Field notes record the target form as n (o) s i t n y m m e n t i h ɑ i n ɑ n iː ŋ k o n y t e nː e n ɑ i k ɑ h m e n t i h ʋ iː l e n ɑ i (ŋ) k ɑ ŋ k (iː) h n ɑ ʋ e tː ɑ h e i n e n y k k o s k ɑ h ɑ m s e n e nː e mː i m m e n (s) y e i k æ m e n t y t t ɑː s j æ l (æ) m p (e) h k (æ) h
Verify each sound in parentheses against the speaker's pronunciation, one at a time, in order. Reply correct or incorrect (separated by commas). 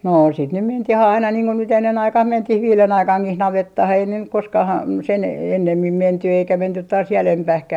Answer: incorrect, incorrect, incorrect, incorrect, incorrect, incorrect, correct